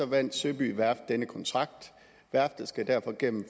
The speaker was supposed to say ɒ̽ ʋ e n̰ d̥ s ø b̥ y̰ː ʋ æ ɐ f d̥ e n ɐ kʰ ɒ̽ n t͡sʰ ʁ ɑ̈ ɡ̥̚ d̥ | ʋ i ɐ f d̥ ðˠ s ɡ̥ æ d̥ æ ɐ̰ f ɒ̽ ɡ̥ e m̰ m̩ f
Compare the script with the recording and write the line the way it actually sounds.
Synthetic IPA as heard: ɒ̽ ʋ æ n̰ d̥ s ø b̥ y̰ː ʋ æ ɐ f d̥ e n ə kʰ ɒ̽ n t͡sʰ ʁ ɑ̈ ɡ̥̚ d̥ | ʋ æ ɐ f d̥ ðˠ s ɡ̥ æ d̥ æ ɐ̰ f ɒ̽ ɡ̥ e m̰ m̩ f